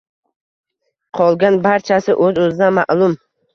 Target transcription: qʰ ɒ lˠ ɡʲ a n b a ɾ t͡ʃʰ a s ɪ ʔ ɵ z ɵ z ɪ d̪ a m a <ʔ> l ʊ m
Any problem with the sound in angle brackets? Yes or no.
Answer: no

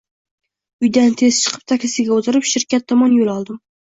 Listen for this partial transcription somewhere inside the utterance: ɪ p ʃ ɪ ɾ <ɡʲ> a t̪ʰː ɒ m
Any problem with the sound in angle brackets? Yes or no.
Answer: yes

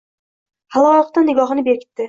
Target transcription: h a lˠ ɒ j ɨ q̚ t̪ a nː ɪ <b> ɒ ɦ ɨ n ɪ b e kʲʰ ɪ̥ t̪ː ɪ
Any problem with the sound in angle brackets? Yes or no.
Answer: yes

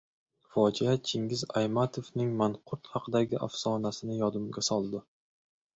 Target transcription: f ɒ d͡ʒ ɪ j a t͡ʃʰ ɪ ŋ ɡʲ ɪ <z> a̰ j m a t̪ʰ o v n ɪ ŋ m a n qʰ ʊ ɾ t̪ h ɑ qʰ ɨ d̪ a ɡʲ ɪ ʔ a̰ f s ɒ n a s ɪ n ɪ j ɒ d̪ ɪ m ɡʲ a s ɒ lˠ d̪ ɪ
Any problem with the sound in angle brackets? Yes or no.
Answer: no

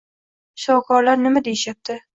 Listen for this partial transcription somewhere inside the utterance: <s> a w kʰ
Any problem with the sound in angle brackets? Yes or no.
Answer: yes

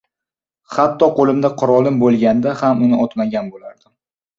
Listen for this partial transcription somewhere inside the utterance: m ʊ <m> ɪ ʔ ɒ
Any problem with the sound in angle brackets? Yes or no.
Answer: yes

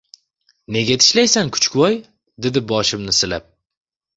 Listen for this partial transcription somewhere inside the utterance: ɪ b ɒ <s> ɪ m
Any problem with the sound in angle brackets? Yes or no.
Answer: yes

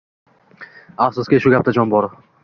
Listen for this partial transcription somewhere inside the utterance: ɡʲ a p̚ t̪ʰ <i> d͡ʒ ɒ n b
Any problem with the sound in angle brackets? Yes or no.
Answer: yes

